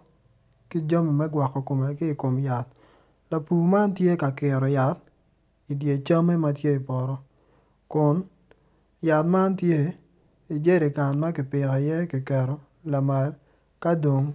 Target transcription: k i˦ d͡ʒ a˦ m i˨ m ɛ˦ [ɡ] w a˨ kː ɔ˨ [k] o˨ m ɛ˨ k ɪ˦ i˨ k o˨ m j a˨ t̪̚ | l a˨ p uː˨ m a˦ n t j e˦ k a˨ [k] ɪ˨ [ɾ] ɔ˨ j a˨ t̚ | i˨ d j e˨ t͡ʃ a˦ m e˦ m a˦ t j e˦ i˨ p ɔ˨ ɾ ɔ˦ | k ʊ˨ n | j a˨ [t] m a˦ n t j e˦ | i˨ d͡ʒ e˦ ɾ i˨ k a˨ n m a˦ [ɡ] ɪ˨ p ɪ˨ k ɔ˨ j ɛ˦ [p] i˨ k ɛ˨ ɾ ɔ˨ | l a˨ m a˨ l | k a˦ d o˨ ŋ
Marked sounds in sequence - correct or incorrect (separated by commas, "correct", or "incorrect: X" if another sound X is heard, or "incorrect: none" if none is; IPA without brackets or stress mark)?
correct, correct, correct, correct, correct, incorrect: k, incorrect: k